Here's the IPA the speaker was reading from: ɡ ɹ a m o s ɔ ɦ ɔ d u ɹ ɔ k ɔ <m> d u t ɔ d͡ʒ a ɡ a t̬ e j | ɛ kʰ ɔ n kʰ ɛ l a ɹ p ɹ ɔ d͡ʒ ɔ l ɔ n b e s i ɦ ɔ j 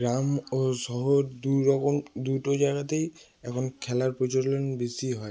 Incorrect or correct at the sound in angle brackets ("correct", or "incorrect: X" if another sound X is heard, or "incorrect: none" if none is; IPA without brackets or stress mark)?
correct